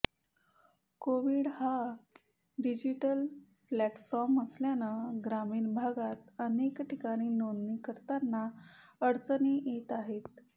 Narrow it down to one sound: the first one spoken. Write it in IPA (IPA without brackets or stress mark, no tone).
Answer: k